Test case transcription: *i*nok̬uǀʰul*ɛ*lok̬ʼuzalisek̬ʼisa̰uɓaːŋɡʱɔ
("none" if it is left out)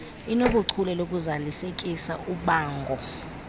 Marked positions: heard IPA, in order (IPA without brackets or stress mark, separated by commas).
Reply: i, ɛ